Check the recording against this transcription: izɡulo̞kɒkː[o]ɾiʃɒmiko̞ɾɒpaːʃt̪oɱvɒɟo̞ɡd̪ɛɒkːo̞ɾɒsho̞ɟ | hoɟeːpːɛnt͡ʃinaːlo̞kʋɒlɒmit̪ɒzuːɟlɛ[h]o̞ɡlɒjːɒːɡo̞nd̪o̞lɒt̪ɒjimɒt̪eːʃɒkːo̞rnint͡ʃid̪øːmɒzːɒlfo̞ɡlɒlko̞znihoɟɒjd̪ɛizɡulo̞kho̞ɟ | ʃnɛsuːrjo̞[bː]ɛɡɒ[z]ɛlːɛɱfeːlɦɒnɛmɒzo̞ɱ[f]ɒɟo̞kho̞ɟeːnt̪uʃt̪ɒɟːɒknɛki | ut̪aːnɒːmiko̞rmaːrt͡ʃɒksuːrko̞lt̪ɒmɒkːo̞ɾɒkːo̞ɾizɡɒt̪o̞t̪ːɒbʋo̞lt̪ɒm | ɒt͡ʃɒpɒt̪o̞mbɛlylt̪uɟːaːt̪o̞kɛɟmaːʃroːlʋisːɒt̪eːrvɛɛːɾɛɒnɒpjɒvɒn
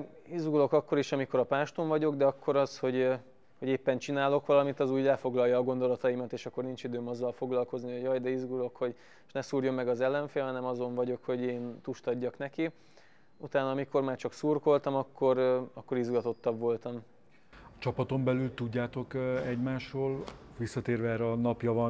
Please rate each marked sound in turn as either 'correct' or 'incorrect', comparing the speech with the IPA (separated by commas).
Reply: correct, incorrect, incorrect, correct, incorrect